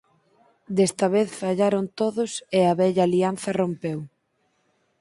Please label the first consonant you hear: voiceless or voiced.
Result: voiced